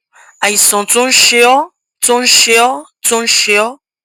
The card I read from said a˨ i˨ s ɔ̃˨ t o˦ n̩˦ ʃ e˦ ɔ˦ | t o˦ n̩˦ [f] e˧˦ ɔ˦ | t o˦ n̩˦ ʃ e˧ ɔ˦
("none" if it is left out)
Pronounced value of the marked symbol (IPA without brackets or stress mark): ʃ